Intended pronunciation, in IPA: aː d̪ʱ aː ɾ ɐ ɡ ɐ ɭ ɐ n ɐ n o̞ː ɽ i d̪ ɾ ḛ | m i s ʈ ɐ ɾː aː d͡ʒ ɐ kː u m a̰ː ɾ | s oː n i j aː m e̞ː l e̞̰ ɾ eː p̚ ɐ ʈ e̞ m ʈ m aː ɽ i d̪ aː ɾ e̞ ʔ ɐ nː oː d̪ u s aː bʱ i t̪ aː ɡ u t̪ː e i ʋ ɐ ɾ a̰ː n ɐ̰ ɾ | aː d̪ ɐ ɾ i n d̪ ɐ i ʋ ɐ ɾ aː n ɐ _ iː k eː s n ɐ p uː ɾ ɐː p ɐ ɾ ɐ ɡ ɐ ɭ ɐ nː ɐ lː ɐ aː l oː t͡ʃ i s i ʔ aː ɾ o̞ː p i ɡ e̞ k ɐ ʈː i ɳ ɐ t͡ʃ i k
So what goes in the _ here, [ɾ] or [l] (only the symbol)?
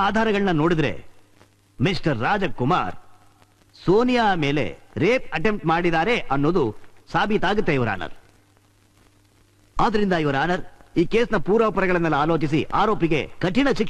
ɾ